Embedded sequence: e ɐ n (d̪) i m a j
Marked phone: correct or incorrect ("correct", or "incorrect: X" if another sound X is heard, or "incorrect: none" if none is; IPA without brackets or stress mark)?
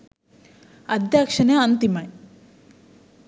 incorrect: t̪